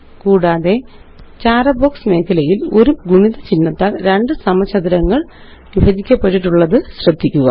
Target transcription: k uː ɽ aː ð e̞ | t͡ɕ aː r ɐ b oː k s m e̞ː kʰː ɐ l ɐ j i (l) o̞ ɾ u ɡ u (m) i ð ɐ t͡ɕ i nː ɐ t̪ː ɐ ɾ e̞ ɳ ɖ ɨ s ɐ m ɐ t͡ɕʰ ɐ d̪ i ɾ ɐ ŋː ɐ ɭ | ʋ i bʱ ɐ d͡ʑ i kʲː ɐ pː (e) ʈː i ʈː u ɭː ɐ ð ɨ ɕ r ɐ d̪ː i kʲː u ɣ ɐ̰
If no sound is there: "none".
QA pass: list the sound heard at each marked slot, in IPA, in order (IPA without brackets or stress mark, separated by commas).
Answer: l, ɳ, e